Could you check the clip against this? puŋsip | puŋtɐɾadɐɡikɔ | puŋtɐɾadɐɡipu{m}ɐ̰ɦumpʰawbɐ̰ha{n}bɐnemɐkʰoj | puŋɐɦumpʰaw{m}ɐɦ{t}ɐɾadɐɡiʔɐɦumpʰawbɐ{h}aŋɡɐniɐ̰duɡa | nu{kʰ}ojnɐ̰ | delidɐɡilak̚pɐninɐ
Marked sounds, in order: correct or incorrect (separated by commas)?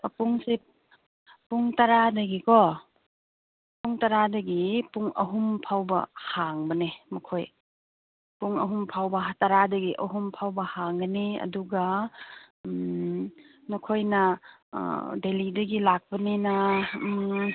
incorrect, incorrect, incorrect, correct, correct, correct